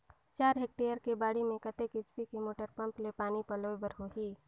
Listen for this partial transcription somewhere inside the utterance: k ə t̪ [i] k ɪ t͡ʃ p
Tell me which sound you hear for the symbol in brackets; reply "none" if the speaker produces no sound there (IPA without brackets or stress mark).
e